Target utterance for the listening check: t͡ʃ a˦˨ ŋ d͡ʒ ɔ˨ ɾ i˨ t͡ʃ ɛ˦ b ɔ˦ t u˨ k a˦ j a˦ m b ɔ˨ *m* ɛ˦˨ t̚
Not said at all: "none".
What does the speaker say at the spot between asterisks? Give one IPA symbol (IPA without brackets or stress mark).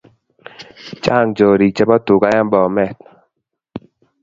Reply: m